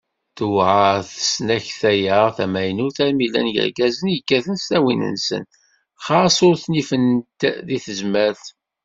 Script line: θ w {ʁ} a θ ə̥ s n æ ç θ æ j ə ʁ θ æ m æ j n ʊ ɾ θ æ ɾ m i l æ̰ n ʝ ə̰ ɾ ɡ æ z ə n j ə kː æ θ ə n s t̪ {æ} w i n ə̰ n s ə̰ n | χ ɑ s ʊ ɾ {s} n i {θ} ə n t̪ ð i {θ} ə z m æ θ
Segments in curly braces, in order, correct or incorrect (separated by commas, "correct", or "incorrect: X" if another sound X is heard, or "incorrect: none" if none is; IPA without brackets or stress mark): incorrect: ʕ, correct, incorrect: θ, incorrect: f, correct